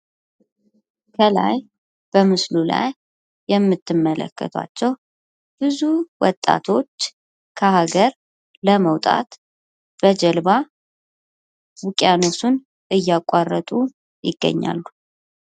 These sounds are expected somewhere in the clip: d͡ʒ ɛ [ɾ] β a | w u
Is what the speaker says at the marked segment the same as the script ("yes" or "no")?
no